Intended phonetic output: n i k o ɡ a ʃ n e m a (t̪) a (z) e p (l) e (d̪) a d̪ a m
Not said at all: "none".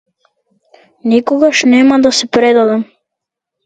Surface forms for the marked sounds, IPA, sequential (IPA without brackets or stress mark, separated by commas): d̪, s, ɾ, d̪